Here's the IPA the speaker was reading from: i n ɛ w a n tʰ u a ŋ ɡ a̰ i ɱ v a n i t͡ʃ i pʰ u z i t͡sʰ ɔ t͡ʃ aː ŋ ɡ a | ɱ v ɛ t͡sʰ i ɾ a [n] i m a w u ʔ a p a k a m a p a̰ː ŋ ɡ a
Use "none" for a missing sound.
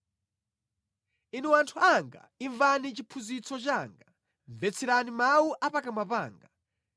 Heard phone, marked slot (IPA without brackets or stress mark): n